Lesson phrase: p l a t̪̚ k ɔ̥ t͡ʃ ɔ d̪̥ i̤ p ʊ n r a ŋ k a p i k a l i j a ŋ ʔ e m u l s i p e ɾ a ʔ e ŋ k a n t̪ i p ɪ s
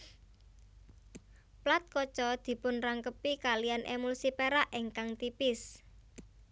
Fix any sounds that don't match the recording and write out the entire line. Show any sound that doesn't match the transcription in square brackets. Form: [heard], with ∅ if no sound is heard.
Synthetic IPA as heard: p l a t̪̚ k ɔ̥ t͡ʃ ɔ d̪̥ i̤ p ʊ n r a ŋ k [ə] p i k a l i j a [n] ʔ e m u l s i p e ɾ a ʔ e ŋ k a [ŋ] t̪ i p ɪ s